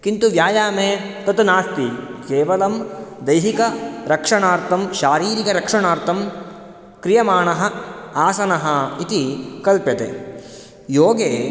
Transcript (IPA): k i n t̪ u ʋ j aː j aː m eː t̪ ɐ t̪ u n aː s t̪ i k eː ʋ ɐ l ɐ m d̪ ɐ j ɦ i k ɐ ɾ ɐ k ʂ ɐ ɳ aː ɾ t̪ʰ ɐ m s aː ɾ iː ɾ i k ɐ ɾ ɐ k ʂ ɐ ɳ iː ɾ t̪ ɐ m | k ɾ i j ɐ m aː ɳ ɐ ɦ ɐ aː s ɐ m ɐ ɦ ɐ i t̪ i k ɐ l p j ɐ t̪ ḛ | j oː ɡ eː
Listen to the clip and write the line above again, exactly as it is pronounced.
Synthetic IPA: k i n t̪ u ʋ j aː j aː m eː t̪ ɐ t̪ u n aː s t̪ i k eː ʋ ɐ l ɐ m d̪ ɐ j ɦ i k ɐ ɾ ɐ k ʂ ɐ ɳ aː ɾ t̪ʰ ɐ m ʃ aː ɾ iː ɾ i k ɐ ɾ ɐ k ʂ ɐ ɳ aː ɾ t̪ ɐ m | k ɾ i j ɐ m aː ɳ ɐ ɦ ɐ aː s ɐ n ɐ ɦ ɐ i t̪ i k ɐ l p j ɐ t̪ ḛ | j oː ɡ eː